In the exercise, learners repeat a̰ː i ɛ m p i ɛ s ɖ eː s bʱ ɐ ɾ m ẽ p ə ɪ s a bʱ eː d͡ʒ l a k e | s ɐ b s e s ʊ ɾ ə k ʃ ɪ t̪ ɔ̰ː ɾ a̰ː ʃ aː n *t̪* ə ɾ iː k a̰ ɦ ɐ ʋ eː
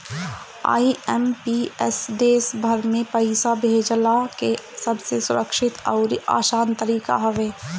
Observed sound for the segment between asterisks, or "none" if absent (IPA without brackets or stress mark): t̪